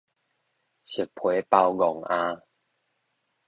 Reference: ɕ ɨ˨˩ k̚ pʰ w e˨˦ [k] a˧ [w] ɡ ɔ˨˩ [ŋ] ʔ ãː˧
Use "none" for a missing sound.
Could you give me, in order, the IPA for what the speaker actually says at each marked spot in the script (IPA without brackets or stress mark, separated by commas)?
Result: p, w, ŋ